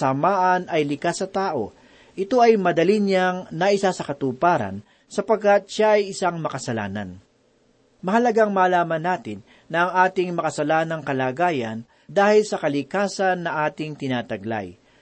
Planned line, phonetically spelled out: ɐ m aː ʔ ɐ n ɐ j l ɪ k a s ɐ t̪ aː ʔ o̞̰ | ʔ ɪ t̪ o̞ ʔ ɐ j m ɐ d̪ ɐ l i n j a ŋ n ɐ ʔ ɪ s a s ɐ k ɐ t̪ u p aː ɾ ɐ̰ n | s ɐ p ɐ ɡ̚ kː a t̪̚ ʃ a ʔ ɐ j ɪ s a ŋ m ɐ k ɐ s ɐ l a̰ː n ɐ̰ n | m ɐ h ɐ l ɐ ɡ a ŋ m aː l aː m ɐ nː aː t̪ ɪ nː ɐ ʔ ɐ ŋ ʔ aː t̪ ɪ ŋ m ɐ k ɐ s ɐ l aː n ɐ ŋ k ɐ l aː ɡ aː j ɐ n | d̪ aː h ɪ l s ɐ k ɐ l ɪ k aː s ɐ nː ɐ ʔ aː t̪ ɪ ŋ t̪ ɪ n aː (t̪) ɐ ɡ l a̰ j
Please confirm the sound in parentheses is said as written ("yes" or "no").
yes